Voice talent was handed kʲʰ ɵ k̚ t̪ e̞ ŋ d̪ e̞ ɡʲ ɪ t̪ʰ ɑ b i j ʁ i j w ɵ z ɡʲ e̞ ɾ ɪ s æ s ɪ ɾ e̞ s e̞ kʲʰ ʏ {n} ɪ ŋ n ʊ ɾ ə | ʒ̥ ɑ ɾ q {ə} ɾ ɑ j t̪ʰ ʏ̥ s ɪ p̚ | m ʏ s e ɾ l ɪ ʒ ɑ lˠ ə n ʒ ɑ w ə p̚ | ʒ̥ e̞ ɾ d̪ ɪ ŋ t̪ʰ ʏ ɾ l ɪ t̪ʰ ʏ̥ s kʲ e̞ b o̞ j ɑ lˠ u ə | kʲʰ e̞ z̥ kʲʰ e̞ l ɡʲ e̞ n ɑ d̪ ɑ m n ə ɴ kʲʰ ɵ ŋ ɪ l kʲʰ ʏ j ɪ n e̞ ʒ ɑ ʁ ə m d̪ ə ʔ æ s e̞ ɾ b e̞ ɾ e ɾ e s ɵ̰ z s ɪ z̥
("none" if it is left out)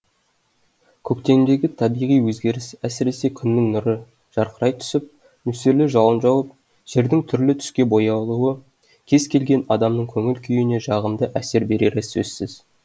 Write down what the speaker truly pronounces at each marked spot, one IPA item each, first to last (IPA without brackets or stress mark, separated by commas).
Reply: nː, ə